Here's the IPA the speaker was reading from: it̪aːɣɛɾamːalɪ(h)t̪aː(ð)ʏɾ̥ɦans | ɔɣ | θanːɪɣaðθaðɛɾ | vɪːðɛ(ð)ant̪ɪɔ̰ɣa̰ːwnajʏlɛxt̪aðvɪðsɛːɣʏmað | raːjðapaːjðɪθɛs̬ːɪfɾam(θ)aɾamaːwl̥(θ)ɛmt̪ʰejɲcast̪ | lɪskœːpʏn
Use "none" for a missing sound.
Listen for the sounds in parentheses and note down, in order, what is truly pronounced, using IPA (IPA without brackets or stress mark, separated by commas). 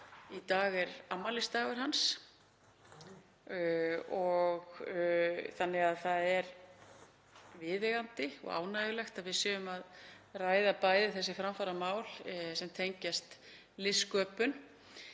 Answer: s, ɣ, ɣ, f, s